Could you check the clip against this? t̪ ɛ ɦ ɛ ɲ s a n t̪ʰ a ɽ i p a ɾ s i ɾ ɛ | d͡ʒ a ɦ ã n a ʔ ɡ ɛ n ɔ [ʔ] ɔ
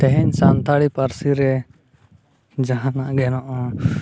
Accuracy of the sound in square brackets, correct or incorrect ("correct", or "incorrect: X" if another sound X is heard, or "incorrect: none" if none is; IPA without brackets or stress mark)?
correct